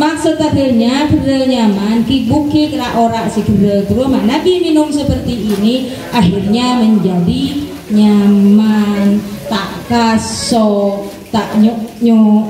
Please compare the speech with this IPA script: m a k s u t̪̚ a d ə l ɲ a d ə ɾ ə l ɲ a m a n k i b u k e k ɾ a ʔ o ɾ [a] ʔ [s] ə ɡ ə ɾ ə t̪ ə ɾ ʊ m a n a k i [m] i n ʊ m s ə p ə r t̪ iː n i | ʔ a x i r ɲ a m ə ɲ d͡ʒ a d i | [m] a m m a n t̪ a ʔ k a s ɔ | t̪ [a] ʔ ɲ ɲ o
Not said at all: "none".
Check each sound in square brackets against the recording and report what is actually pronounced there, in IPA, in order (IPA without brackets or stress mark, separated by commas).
a, s, m, ɲ, a